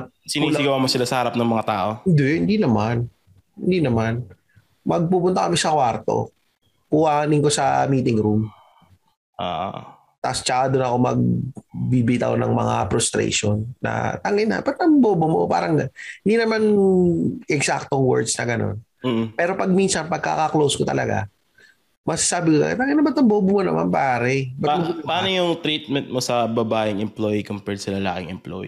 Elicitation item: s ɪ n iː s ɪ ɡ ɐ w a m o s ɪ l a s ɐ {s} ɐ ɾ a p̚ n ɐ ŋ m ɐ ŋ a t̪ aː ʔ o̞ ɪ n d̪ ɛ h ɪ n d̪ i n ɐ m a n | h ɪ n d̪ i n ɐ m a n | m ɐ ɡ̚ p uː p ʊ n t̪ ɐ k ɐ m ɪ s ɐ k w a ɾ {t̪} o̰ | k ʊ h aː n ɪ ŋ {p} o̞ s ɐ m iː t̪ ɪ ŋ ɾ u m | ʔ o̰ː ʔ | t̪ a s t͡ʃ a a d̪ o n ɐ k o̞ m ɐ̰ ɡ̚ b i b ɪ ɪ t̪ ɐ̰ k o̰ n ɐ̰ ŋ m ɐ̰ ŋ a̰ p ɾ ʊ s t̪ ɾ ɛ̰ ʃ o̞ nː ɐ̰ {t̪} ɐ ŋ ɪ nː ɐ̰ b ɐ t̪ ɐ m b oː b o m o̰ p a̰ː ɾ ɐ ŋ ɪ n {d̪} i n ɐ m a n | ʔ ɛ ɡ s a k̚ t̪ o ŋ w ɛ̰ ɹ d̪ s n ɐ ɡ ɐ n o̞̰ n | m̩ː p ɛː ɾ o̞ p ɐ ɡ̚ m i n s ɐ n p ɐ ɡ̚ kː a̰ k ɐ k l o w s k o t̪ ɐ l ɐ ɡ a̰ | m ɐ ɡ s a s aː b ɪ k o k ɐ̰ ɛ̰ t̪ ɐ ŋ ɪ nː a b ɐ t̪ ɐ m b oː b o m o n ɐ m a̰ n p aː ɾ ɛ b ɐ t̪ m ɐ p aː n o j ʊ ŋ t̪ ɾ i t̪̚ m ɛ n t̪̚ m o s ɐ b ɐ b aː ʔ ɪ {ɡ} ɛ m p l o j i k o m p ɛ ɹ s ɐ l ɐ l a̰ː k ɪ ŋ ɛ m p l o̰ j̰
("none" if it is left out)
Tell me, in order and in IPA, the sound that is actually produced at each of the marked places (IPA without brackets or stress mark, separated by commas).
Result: h, t̪, k, t̪, d̪, ŋ